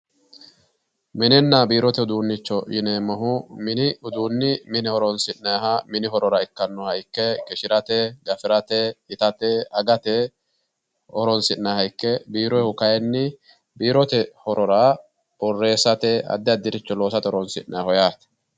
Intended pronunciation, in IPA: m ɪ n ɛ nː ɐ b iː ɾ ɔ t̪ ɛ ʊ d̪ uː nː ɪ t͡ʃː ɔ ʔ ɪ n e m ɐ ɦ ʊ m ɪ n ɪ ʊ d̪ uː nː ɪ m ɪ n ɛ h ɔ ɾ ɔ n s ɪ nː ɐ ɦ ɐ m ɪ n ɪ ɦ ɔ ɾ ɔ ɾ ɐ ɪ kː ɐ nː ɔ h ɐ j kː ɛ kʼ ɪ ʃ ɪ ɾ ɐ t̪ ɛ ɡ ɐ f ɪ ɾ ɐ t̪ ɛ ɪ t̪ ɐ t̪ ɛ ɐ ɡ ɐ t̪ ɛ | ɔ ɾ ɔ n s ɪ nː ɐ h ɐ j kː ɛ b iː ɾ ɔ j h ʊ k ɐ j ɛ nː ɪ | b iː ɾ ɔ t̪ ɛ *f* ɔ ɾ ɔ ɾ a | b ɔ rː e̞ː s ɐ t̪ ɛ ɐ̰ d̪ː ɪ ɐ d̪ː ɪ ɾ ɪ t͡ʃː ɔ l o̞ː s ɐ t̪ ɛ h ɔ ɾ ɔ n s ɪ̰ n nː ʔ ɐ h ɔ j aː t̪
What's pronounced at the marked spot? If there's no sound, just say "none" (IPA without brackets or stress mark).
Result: h